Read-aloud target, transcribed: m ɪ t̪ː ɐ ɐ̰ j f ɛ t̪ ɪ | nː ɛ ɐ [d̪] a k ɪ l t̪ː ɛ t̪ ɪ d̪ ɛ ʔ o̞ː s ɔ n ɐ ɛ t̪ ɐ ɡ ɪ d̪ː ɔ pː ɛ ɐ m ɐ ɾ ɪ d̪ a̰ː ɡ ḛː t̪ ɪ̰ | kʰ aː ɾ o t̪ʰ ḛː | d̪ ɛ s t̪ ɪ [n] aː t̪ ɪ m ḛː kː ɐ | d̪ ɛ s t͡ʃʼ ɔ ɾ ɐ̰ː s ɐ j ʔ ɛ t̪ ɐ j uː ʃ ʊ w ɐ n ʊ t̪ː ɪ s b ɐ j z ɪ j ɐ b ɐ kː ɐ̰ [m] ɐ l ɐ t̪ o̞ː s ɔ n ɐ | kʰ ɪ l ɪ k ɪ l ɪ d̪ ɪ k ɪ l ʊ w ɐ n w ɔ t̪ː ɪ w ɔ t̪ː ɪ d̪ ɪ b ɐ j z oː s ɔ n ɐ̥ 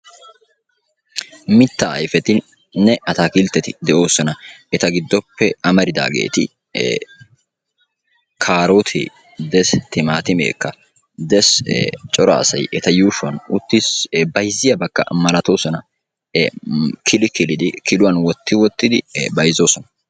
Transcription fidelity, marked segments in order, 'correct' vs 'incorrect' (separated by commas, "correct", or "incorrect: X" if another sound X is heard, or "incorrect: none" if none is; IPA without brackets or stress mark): incorrect: t̪, incorrect: m, correct